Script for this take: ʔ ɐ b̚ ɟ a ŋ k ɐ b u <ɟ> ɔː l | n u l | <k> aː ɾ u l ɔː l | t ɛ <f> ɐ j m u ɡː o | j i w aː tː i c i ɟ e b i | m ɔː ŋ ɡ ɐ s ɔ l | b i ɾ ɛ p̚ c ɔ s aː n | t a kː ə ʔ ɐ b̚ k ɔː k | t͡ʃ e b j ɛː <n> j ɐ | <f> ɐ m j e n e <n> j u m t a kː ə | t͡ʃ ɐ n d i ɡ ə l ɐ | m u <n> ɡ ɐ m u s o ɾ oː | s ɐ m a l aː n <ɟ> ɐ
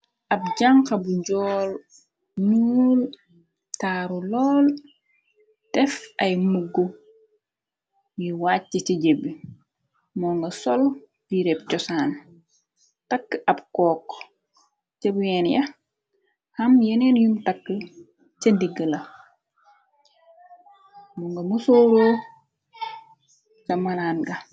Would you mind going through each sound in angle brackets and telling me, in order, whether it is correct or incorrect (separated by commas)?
correct, incorrect, correct, correct, incorrect, correct, incorrect, incorrect